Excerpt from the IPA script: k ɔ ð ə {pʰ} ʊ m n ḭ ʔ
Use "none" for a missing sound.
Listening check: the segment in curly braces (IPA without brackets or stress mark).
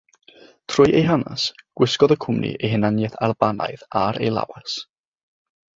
kʰ